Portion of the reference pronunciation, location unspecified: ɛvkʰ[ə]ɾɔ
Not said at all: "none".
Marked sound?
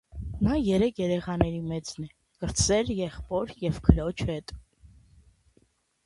ə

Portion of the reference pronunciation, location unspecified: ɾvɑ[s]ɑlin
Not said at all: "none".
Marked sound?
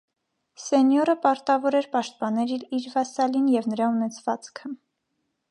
s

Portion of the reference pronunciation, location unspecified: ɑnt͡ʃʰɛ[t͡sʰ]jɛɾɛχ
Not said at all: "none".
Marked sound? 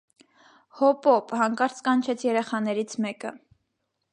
t͡sʰ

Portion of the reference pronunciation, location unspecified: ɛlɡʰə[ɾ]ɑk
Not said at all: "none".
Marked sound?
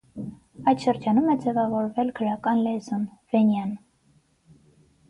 ɾ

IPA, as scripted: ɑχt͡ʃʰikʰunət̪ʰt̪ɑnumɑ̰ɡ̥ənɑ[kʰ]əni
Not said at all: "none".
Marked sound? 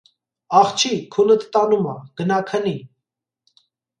kʰ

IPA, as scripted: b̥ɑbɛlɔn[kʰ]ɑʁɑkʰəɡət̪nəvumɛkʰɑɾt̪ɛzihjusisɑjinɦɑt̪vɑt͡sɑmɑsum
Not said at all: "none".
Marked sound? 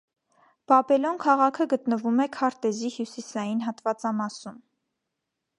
kʰ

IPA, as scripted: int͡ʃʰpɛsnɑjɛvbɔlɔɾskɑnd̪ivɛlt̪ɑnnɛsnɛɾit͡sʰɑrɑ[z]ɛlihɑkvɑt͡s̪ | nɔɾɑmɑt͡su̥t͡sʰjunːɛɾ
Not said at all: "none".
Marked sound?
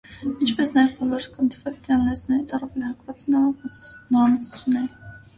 v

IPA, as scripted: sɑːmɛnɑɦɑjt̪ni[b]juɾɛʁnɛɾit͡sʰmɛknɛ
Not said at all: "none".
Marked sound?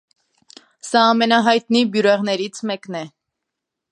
b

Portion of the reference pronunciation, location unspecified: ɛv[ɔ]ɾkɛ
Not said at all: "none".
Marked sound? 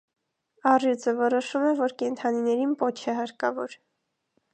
ɔ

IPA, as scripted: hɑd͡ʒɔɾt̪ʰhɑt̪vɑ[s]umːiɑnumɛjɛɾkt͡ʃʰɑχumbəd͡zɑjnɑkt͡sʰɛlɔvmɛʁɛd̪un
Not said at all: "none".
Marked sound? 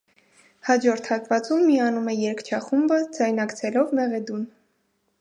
t͡s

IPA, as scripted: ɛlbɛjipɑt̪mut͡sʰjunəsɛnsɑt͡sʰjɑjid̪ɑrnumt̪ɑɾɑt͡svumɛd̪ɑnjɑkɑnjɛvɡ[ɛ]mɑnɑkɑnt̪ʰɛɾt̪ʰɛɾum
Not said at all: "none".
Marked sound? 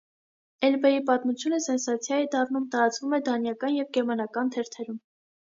ɛ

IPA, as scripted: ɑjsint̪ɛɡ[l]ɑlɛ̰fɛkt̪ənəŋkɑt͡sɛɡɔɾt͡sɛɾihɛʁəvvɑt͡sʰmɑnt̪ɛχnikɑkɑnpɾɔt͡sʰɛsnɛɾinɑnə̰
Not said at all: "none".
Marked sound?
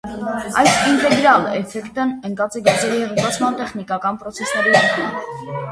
ɾ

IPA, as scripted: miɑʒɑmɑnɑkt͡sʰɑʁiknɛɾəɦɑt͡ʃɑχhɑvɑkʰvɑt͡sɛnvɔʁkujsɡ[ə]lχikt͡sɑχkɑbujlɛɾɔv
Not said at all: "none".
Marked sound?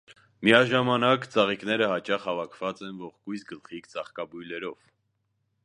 ə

